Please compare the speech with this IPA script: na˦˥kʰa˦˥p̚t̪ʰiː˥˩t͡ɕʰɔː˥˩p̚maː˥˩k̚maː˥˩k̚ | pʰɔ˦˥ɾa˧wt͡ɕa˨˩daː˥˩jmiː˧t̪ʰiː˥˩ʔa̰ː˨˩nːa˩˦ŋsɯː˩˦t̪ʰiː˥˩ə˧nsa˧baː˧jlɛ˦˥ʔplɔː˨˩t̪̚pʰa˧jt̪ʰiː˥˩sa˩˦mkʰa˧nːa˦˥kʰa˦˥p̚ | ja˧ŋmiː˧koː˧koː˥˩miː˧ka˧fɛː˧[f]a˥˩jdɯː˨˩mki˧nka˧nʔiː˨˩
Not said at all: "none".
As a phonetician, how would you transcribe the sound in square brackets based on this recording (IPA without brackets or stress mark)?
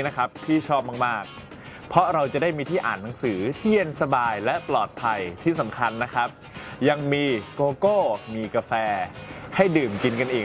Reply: h